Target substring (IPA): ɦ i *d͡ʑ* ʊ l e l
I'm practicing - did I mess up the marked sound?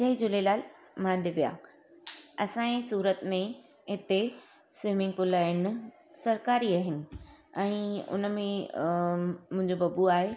no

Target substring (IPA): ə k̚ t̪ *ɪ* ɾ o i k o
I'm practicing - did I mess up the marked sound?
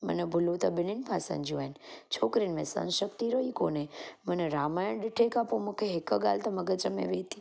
yes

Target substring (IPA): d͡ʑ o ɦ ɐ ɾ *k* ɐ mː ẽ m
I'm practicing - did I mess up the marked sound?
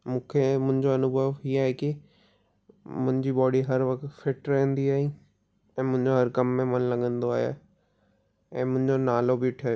no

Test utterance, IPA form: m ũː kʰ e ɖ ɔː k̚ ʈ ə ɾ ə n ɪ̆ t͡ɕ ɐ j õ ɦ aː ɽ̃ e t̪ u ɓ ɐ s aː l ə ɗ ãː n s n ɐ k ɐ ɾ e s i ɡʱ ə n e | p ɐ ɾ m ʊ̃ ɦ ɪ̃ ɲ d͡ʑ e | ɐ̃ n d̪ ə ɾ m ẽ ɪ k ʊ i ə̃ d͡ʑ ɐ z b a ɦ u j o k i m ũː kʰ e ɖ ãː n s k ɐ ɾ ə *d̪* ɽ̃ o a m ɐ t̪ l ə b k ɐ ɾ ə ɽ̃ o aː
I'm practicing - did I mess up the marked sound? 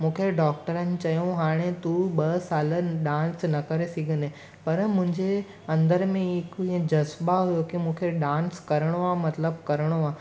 yes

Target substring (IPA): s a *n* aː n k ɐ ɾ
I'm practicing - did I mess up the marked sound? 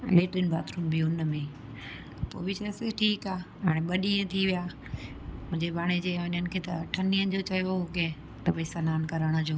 no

